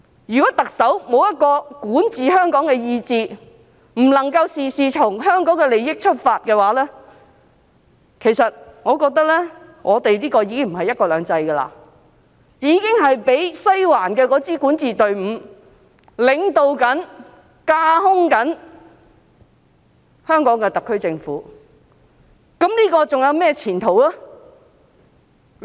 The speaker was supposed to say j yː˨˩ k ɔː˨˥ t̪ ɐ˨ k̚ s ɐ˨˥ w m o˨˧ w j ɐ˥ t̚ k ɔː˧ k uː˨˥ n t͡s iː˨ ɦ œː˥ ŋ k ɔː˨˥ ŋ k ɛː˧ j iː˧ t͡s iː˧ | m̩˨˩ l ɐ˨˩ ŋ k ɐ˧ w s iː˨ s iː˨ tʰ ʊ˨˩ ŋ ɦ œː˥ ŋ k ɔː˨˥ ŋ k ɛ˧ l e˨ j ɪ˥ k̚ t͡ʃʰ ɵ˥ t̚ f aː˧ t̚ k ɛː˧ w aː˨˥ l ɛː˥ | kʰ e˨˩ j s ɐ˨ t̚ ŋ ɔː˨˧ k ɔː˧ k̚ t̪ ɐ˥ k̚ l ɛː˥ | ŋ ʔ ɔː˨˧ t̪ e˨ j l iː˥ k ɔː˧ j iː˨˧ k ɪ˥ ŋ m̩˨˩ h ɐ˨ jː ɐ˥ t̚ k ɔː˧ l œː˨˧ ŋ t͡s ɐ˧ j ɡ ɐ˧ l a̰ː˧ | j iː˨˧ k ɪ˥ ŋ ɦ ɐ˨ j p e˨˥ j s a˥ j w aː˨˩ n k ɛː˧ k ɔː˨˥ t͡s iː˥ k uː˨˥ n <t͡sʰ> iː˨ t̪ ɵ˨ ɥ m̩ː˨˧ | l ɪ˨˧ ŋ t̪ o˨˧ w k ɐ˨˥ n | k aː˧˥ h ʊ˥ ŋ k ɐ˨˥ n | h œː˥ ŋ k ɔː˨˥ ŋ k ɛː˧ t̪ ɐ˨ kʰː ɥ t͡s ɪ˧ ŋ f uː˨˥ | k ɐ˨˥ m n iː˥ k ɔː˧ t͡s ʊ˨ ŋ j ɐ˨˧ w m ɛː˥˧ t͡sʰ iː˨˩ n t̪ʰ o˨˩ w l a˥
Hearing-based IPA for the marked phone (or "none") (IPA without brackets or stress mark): t͡s